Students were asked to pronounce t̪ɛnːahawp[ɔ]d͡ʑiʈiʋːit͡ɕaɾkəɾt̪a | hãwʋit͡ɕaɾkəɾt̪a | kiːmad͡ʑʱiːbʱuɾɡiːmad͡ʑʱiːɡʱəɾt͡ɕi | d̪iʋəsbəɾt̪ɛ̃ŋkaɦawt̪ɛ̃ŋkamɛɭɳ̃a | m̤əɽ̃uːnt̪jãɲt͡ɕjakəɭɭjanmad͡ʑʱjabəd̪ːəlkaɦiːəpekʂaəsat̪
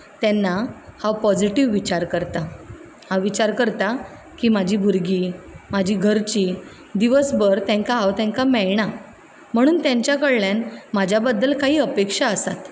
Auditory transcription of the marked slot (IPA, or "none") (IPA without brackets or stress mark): ɔ